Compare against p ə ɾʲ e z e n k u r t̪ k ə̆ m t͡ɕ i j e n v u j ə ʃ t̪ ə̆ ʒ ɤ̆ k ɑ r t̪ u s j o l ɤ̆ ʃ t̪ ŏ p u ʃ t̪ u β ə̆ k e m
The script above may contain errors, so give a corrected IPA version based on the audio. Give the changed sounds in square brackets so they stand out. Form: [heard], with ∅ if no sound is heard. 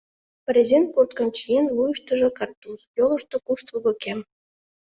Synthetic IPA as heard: p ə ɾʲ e z e n k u r t̪ k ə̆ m t͡ɕ i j e n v u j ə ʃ t̪ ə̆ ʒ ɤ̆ k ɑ r t̪ u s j o l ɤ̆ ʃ t̪ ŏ [k] u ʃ t̪ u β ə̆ k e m